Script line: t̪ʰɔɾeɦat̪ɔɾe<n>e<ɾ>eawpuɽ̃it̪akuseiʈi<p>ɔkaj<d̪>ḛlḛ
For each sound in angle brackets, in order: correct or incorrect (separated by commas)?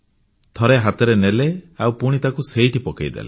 correct, incorrect, correct, correct